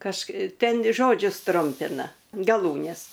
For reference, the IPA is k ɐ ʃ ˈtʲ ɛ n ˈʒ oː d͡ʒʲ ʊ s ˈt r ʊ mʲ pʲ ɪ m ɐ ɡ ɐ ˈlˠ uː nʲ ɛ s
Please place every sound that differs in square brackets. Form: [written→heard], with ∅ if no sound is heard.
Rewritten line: k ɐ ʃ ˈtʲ ɛ n ˈʒ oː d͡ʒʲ ʊ s ˈt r ʊ mʲ pʲ ɪ [m→n] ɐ ɡ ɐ ˈlˠ uː nʲ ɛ s